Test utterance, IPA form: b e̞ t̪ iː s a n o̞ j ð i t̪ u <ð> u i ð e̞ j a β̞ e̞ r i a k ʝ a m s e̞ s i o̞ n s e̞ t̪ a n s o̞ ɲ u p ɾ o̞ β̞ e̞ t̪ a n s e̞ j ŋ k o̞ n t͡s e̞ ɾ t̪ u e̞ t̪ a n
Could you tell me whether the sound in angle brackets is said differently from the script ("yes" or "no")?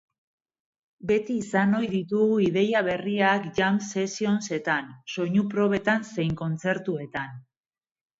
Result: yes